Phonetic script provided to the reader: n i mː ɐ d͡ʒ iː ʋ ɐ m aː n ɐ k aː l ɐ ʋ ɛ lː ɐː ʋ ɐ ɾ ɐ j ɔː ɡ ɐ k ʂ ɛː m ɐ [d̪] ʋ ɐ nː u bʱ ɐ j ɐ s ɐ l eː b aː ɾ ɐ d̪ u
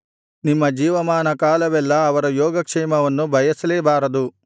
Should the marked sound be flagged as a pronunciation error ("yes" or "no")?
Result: yes